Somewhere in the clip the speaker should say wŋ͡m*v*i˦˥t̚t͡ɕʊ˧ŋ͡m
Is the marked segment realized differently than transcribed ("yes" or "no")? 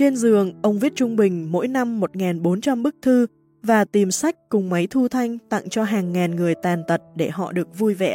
no